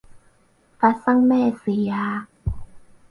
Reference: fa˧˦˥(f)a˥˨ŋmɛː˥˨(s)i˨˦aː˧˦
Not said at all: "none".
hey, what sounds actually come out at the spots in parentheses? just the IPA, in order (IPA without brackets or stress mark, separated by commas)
s, s